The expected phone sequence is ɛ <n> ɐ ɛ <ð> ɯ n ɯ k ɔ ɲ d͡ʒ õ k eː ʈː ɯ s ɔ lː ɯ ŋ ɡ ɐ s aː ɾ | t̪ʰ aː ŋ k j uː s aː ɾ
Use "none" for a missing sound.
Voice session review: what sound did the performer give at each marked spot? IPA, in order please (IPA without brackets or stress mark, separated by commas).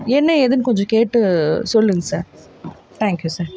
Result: nː, ð